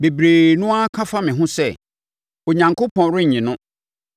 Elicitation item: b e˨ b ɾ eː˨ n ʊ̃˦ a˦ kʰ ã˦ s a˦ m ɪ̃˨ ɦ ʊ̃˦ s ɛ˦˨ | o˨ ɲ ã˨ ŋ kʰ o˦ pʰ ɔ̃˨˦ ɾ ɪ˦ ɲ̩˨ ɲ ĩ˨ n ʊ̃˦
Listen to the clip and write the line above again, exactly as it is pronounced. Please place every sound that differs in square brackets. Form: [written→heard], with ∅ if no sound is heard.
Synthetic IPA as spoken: b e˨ b ɾ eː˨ n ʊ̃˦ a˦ kʰ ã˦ [s→f] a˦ m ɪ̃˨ ɦ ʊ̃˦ s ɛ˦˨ | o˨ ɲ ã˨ ŋ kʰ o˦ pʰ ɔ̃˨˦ ɾ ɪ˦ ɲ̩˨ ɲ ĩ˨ n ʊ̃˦